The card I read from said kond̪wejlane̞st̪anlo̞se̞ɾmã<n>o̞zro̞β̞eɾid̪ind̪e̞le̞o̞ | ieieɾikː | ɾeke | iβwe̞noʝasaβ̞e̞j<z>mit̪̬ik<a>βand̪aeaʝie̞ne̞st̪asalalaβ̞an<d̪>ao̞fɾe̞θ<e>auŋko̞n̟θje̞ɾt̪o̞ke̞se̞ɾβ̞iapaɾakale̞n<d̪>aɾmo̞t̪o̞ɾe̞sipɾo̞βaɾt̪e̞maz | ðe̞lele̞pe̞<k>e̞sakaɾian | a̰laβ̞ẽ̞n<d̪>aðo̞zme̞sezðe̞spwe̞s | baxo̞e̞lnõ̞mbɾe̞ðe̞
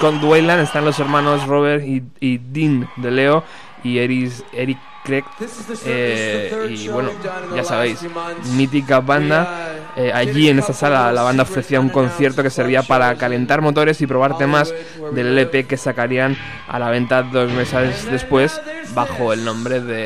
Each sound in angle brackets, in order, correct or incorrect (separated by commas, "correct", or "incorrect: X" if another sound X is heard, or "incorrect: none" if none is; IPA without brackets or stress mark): correct, incorrect: s, correct, correct, incorrect: i, incorrect: t̪, correct, incorrect: t̪